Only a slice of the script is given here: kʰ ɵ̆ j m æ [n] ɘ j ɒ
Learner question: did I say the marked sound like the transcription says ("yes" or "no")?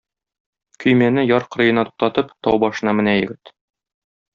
yes